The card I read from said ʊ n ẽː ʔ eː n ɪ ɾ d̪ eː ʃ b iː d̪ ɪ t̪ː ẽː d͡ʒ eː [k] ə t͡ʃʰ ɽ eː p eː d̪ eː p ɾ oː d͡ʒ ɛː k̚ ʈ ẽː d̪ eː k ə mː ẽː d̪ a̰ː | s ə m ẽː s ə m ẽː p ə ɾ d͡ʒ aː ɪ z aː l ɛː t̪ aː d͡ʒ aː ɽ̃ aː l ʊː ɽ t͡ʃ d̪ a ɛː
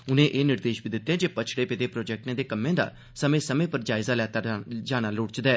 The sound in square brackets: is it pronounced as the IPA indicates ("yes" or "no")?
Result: no